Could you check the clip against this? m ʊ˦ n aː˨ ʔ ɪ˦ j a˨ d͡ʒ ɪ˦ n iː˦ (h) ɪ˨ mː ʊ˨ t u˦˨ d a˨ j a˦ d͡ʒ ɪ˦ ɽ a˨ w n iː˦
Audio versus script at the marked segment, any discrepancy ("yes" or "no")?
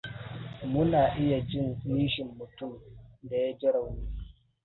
yes